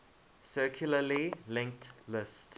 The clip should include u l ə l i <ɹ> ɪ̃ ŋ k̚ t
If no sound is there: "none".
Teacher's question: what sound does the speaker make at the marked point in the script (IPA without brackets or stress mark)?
l